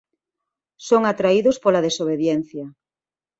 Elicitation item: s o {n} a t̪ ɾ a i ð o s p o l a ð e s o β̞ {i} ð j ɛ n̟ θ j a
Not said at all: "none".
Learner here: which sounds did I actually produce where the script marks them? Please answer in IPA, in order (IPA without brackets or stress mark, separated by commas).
ŋ, e